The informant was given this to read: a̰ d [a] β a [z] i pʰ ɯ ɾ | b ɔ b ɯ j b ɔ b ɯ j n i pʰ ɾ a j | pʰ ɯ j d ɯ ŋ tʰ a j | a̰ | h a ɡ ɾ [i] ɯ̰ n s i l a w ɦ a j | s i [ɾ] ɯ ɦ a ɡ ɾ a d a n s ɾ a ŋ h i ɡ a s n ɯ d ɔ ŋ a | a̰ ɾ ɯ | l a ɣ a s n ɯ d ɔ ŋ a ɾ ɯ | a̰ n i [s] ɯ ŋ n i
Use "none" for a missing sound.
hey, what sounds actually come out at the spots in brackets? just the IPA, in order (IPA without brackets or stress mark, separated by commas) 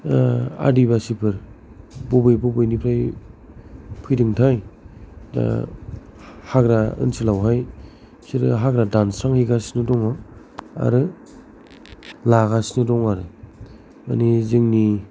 i, s, a, ɾ, z